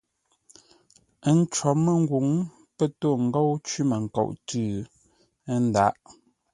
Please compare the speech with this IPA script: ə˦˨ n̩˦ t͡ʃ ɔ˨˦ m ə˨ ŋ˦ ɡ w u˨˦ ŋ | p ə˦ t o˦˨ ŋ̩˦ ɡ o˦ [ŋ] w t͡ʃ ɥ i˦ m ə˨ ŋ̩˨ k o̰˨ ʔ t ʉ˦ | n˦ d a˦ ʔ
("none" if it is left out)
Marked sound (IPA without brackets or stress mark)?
none